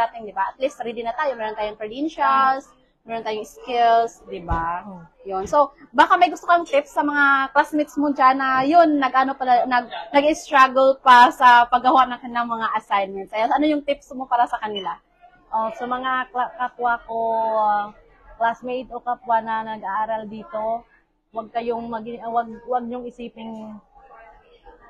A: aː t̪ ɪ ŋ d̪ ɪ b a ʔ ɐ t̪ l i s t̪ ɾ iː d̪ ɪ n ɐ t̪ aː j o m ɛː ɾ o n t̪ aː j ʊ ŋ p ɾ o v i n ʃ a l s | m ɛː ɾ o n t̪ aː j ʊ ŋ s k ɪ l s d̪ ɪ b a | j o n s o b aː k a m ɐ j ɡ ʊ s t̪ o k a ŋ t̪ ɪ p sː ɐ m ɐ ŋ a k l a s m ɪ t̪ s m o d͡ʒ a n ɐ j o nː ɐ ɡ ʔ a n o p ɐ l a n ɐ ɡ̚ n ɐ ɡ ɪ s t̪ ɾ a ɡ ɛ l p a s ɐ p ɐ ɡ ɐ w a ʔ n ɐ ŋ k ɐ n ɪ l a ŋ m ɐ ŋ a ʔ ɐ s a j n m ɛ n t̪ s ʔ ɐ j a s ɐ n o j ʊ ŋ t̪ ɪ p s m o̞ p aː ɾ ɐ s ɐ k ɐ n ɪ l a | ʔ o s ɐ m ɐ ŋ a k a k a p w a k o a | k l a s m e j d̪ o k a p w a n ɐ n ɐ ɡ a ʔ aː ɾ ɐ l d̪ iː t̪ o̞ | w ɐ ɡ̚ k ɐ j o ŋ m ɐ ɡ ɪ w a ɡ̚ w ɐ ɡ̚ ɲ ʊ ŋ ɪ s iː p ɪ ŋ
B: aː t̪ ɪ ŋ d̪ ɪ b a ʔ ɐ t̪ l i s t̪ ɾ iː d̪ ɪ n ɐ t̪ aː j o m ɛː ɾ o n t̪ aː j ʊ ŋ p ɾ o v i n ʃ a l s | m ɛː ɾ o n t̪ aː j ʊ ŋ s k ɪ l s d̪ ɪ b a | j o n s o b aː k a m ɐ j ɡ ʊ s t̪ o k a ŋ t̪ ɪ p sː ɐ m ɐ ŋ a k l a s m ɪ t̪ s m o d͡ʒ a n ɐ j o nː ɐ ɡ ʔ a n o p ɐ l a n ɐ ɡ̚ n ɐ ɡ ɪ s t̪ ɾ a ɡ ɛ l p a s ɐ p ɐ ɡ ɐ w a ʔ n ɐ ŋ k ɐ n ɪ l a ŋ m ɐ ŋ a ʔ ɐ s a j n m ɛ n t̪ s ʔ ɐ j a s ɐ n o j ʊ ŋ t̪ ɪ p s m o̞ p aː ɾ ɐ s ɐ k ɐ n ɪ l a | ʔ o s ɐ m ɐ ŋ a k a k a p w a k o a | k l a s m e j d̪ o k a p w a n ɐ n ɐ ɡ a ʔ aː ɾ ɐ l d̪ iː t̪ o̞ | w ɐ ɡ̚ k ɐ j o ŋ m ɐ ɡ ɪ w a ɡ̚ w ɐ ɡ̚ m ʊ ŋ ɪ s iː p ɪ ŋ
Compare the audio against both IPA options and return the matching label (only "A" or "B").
A